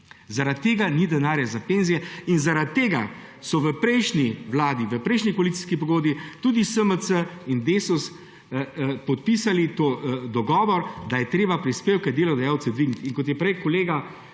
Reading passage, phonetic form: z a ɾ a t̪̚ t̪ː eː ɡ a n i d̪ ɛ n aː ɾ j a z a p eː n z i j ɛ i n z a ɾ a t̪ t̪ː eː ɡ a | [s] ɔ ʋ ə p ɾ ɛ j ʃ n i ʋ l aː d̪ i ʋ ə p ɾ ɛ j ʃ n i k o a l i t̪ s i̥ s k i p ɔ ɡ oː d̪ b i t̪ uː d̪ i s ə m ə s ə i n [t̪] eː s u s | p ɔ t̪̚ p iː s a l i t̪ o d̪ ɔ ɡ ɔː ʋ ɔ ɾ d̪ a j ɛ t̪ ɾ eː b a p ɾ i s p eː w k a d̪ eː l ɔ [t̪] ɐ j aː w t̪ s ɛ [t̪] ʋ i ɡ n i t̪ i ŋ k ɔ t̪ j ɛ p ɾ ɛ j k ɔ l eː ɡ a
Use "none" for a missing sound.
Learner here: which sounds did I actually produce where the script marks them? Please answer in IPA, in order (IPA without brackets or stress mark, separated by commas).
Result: s, d̪, d̪, d̪